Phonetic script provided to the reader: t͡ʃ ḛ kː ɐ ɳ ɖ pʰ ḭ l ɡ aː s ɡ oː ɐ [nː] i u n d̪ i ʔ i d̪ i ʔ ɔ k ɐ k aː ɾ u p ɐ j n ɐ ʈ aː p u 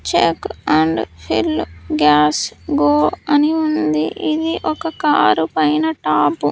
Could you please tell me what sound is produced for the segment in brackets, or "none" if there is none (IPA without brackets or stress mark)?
n